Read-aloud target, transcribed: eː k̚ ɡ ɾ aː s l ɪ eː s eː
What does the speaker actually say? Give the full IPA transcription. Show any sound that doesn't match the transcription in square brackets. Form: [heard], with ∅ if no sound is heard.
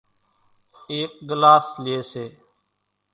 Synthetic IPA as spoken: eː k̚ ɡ [l] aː s l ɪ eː s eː